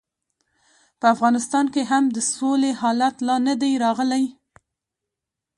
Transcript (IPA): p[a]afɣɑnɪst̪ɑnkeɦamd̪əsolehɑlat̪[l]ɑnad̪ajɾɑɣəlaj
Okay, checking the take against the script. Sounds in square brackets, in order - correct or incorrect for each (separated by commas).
incorrect, correct